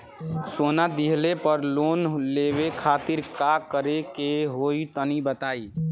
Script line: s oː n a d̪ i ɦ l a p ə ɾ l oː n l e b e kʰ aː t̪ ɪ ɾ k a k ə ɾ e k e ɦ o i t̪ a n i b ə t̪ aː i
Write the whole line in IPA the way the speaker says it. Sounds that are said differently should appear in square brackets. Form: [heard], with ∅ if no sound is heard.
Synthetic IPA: s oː n a d̪ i ɦ l [e] p ə ɾ l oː n l e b e kʰ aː t̪ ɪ ɾ k a k ə ɾ e k e ɦ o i t̪ [ə] n i b ə t̪ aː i